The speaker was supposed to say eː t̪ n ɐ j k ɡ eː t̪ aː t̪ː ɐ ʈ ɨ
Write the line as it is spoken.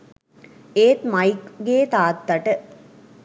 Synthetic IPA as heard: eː t̪ m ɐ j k ɡ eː t̪ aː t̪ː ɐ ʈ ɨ